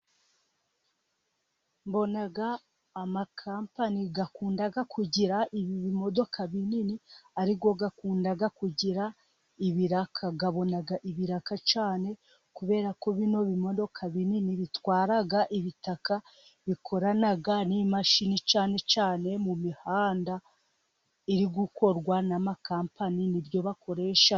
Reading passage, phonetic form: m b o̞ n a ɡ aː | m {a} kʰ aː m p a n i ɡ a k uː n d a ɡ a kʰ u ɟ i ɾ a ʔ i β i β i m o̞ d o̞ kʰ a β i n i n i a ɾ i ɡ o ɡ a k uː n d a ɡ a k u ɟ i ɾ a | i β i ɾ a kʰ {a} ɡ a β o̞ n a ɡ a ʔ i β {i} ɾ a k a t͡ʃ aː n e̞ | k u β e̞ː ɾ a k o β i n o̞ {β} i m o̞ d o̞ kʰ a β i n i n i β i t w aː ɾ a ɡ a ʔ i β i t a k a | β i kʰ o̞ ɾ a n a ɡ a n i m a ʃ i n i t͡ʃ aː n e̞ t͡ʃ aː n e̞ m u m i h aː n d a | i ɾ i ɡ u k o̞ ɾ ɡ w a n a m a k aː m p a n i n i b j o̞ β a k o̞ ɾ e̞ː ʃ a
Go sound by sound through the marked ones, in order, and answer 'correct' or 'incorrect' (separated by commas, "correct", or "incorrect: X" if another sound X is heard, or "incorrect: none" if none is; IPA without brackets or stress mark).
correct, correct, correct, correct